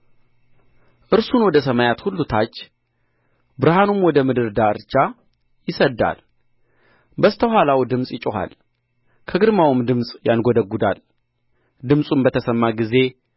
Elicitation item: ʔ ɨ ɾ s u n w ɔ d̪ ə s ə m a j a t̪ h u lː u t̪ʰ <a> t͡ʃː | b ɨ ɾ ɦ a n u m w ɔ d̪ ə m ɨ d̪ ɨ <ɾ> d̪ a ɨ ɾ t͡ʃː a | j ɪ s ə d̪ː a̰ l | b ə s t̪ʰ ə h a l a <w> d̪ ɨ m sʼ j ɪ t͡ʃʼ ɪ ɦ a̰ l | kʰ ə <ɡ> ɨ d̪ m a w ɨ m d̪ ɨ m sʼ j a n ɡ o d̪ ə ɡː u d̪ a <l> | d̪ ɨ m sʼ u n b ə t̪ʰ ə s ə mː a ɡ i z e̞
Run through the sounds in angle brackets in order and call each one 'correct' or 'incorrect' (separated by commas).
correct, correct, correct, correct, correct